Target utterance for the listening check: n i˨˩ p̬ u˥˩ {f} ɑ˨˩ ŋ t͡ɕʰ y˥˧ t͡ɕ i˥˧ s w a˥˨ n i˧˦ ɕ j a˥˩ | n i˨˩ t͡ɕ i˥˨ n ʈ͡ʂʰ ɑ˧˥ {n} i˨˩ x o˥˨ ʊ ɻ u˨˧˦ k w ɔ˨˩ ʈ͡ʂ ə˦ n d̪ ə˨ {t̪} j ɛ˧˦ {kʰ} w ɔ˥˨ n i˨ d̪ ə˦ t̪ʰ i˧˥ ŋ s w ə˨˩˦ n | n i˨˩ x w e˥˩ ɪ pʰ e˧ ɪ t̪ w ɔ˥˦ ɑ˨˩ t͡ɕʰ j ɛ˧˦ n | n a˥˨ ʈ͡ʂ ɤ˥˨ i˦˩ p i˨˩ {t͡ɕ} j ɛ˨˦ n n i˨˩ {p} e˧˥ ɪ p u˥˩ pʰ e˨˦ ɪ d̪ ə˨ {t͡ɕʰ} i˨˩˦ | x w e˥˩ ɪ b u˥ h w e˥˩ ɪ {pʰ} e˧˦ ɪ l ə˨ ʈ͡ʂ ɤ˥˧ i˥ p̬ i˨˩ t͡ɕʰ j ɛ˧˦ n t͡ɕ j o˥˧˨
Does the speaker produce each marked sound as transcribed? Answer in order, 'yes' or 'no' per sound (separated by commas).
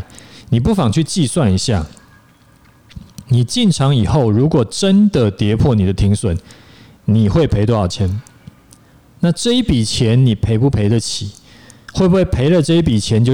yes, no, yes, no, no, no, yes, yes